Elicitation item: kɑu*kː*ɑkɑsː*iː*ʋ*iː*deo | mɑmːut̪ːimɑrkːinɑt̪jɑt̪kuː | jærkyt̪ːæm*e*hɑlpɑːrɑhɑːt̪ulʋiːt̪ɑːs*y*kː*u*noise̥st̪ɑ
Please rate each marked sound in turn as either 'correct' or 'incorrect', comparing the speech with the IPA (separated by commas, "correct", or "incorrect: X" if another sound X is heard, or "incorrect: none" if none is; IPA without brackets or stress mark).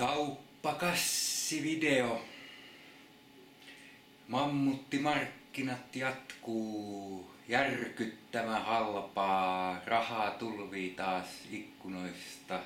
incorrect: pː, incorrect: i, incorrect: i, incorrect: æ, incorrect: i, correct